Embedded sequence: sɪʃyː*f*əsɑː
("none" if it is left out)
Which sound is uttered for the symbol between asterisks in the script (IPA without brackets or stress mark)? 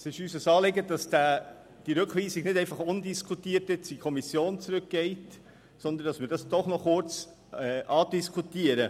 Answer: s